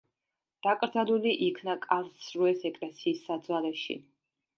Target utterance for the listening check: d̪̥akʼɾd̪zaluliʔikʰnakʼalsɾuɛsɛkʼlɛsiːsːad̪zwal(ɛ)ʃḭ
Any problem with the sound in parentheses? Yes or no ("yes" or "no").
no